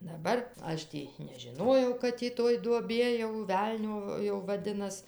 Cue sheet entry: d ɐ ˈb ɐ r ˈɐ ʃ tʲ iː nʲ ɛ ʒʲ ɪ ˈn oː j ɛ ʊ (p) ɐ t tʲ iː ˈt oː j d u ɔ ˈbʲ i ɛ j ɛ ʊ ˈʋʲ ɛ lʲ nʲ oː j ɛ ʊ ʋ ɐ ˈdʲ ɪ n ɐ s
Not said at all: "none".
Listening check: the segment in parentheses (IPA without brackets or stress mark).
k